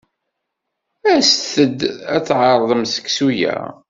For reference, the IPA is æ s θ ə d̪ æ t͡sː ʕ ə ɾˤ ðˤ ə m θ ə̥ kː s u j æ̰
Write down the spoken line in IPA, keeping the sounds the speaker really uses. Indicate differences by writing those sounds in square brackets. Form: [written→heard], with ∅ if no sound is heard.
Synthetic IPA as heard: æ s θ ə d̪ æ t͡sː ʕ [ə→ɑ] ɾˤ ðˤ ə m [θ→s] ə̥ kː s u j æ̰